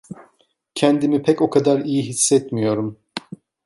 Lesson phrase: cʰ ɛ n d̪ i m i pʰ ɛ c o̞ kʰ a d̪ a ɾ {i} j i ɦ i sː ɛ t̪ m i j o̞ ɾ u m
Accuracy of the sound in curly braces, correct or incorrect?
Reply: correct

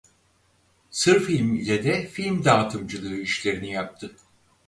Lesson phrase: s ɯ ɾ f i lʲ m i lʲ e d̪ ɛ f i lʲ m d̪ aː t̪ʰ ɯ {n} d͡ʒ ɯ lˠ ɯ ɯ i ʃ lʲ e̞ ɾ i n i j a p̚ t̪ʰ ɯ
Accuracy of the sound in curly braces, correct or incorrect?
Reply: incorrect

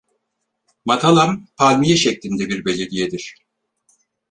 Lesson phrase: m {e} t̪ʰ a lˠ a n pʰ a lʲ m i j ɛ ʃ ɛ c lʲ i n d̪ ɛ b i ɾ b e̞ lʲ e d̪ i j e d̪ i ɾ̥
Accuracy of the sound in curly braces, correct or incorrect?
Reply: incorrect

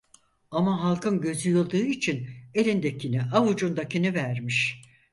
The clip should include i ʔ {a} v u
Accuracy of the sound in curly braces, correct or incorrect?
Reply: correct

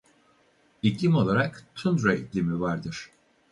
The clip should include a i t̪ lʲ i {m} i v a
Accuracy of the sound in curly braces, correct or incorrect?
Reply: correct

